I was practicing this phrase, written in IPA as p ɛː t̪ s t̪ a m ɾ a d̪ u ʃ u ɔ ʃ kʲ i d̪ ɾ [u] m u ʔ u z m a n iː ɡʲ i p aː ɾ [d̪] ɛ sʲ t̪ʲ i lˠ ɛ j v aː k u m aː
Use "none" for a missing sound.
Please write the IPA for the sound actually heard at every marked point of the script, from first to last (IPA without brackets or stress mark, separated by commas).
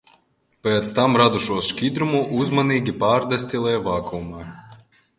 u, d̪